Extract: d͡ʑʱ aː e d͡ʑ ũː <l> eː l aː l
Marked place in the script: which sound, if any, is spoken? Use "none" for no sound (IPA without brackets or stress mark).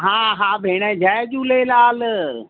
l